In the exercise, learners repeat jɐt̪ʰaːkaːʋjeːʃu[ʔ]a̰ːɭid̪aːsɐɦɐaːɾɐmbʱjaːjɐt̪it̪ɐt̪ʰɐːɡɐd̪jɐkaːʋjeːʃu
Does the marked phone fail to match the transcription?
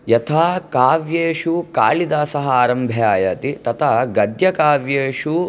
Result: yes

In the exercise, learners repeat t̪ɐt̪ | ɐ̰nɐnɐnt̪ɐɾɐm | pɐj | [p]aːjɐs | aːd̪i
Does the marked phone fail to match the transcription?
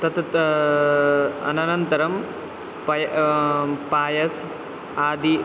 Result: no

